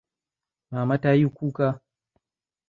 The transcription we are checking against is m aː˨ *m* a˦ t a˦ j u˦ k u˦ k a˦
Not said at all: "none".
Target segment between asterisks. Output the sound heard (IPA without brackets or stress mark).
m